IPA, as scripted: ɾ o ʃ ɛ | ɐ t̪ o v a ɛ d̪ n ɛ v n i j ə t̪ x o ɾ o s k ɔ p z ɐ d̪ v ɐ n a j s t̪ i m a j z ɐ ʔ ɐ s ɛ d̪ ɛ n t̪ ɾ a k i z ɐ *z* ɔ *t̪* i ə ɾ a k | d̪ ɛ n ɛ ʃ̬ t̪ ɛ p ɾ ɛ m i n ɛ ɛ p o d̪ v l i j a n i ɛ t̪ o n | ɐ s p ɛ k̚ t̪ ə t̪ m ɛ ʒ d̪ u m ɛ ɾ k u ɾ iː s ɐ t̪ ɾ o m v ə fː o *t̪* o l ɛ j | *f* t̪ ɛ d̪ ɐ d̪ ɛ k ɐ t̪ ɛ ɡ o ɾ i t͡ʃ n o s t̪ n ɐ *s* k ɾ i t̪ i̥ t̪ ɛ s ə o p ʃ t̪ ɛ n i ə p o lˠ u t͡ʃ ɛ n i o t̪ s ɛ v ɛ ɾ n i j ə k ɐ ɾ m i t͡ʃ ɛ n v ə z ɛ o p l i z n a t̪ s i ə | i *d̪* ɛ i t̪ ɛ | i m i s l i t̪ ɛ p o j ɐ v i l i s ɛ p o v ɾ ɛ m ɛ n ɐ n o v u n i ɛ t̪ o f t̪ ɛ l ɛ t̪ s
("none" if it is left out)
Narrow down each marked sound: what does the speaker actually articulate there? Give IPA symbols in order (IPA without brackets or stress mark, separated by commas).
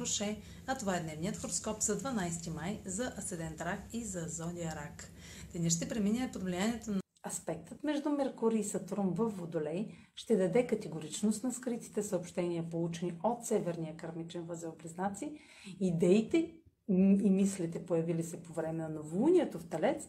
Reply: z, d̪, d̪, ʃ, s, d̪